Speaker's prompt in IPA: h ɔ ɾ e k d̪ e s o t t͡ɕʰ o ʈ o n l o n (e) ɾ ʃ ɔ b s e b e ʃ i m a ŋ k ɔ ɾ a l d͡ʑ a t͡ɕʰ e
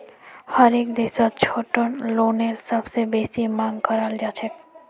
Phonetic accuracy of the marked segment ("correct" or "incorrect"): correct